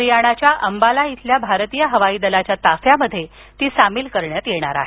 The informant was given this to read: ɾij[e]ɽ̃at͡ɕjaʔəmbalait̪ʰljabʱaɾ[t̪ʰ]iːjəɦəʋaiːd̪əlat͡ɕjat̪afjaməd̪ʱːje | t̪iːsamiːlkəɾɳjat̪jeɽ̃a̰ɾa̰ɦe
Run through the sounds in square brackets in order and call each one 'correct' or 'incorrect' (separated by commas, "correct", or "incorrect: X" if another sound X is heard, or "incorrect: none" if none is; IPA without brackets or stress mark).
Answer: incorrect: a, incorrect: t̪